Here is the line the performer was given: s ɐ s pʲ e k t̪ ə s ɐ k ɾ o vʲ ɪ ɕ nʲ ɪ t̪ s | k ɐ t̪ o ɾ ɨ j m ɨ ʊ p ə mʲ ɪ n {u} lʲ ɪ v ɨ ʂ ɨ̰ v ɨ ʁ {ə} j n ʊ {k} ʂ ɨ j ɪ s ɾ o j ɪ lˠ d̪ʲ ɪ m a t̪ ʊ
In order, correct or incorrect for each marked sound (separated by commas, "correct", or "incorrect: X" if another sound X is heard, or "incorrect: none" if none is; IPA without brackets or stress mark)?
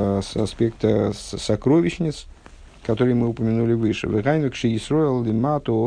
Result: correct, incorrect: a, correct